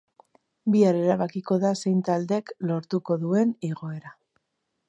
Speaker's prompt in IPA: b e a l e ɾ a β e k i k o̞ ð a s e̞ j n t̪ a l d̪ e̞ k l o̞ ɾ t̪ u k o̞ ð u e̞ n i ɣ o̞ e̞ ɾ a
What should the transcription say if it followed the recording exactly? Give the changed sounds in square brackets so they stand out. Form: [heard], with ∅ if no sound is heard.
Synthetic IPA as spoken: b [i] a [ɾ] e ɾ a β [a] k i k o̞ ð a s e̞ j n t̪ a l d̪ e̞ k l o̞ ɾ t̪ u k o̞ ð u e̞ n i ɣ o̞ e̞ ɾ a